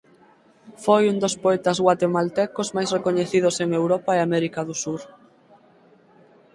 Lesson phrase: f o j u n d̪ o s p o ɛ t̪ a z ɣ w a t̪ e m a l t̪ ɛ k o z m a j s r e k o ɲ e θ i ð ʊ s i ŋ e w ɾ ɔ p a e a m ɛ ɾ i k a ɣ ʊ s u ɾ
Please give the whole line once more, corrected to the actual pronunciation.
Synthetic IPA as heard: f o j u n d̪ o s p o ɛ t̪ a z ɣ w a t̪ e m a l t̪ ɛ k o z m a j s r e k o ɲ e θ i ð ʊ s e ŋ e w ɾ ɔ p a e a m ɛ ɾ i k a ð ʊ s u ɾ